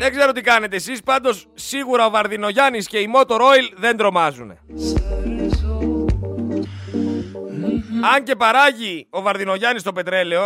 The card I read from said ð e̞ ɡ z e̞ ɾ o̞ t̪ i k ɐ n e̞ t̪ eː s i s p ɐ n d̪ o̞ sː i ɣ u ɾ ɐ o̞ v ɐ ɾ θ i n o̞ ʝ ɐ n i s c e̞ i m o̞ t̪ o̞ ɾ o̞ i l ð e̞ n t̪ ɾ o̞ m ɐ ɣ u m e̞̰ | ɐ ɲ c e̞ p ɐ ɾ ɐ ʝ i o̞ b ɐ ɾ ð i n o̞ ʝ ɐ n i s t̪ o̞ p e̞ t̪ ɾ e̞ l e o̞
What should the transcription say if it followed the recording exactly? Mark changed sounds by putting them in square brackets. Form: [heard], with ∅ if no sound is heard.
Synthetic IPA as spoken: ð e̞ ɡ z e̞ ɾ o̞ t̪ i k ɐ n e̞ t̪ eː s i s p ɐ n d̪ o̞ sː i ɣ u ɾ ɐ o̞ v ɐ ɾ [ð] i n o̞ ʝ ɐ n i s c e̞ i m o̞ t̪ o̞ ɾ o̞ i l ð e̞ n [d̪] ɾ o̞ m ɐ [z] u [n] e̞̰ | ɐ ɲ c e̞ p ɐ ɾ ɐ ʝ i o̞ [v] ɐ ɾ ð i n o̞ ʝ ɐ n i s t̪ o̞ p e̞ t̪ ɾ e̞ l e o̞